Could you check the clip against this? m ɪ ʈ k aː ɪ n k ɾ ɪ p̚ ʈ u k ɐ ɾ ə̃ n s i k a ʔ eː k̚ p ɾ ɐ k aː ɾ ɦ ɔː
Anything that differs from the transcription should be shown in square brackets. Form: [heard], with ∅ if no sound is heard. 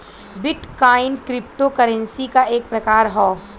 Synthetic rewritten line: [b] ɪ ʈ k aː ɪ n k ɾ ɪ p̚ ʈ [o] k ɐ ɾ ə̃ n s i k a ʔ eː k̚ p ɾ ɐ k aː ɾ ɦ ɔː